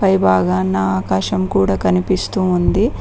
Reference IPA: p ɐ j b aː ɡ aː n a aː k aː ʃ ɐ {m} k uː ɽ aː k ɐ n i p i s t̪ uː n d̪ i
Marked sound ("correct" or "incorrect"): correct